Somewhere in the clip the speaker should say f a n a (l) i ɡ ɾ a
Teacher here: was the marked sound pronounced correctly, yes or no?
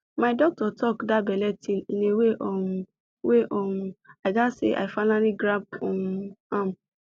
yes